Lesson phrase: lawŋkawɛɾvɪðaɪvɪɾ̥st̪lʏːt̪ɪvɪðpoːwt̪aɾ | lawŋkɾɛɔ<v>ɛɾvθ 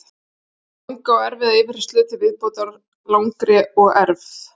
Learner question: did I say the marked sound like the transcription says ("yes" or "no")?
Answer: no